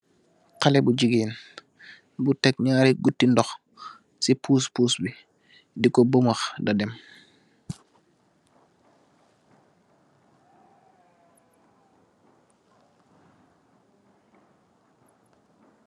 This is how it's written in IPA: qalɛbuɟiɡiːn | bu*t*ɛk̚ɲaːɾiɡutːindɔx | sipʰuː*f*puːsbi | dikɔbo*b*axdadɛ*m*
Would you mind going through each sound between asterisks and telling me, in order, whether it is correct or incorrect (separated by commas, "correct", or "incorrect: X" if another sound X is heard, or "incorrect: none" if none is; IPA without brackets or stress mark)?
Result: correct, incorrect: s, incorrect: m, correct